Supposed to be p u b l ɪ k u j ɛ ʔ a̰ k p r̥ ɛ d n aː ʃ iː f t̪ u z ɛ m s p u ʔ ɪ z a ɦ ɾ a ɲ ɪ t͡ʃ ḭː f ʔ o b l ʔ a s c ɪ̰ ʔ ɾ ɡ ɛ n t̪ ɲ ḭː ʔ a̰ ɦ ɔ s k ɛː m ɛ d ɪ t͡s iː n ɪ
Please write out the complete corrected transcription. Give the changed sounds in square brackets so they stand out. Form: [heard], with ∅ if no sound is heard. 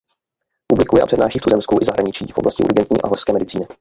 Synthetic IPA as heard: p u b l ɪ k u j ɛ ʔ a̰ [∅] p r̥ ɛ d n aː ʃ iː f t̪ u z ɛ m s [k] u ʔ ɪ z a ɦ ɾ a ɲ ɪ t͡ʃ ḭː f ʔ o b l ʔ a s c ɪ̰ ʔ ɾ ɡ ɛ n t̪ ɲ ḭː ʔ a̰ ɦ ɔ s k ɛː m ɛ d ɪ t͡s iː n ɪ